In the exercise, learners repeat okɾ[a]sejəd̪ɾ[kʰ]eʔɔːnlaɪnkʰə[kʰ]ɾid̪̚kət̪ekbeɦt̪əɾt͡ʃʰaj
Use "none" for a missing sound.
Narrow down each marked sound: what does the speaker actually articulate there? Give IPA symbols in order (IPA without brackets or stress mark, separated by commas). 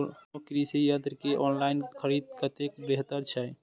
i, k, none